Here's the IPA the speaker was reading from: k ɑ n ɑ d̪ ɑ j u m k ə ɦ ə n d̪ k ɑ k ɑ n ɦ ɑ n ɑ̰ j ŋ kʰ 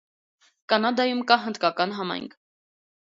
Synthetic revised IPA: k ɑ n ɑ d̪ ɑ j u m k ɑ ɦ ə n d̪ k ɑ k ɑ n ɦ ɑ m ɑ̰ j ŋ kʰ